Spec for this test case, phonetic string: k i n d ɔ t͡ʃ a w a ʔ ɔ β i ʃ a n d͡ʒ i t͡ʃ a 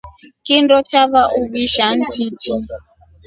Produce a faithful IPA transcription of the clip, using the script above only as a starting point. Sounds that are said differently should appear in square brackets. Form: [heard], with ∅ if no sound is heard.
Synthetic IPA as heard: k i n d ɔ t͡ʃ a [β] a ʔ [u] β i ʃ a n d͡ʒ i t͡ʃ [i]